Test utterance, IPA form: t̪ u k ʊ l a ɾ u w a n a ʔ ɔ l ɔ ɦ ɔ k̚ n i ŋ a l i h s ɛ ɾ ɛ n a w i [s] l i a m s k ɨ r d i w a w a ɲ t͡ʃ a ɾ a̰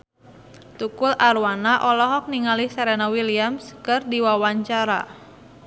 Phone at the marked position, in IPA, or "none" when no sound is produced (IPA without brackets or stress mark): none